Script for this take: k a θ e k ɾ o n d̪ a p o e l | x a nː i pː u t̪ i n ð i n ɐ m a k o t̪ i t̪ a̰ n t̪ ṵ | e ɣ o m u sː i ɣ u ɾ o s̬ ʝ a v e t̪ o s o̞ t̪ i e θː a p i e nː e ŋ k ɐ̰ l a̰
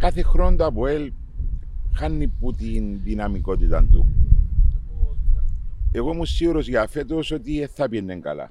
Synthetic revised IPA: k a θ e x ɾ o n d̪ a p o e l | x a nː i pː u t̪ i n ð i n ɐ m i k o t̪ i t̪ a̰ n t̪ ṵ | e ɣ o m u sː i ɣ u ɾ o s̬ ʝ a f e t̪ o s o̞ t̪ i e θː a p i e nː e ŋ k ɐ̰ l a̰